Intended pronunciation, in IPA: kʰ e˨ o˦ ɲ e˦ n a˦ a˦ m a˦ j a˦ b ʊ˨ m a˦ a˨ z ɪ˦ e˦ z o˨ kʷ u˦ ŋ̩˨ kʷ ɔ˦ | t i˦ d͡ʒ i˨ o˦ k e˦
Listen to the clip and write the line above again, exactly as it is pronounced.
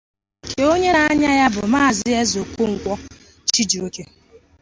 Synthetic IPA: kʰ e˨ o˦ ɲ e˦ n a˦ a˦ ɲ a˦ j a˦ b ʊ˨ m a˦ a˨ z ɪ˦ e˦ z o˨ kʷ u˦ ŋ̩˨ kʷ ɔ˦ | t͡ʃ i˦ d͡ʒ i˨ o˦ k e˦